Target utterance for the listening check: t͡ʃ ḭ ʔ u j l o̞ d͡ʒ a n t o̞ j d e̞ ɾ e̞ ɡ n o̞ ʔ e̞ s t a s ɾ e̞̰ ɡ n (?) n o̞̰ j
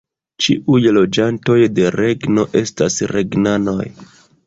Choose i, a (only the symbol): a